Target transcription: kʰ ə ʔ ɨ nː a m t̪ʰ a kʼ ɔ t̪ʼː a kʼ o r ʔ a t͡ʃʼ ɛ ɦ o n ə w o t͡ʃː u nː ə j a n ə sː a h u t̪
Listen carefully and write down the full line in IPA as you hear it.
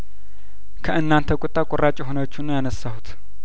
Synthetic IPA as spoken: kʰ ə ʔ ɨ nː a n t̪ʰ ə kʼ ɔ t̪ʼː a kʼ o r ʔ a t͡ʃʼ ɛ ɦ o n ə w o t͡ʃː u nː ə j a n ə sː a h u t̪